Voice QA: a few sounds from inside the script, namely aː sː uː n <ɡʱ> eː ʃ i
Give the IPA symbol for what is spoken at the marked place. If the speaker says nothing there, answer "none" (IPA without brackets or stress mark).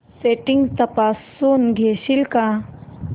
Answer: ɡʱ